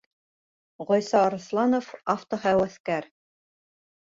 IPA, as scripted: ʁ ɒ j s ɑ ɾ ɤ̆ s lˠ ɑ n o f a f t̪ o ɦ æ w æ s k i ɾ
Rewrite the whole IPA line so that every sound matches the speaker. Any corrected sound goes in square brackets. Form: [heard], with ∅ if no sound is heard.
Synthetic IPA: ʁ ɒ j s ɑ ɾ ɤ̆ s lˠ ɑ n o f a f t̪ o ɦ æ w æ [θ] k [æ] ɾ